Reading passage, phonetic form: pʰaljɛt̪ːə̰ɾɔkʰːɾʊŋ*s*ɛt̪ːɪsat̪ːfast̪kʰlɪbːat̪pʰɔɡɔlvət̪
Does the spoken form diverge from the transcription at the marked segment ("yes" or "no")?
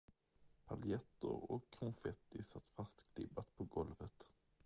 yes